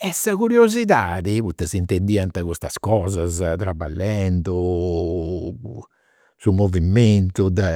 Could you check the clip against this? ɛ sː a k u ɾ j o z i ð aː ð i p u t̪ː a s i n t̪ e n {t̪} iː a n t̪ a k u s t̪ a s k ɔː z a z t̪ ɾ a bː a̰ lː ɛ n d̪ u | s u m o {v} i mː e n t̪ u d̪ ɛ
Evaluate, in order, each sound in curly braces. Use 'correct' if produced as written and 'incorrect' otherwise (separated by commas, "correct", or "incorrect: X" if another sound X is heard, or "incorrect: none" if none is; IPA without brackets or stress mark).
incorrect: d̪, correct